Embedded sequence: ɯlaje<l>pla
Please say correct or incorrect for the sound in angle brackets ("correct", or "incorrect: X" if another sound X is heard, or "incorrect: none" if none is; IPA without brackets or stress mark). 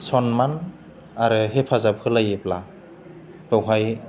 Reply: incorrect: none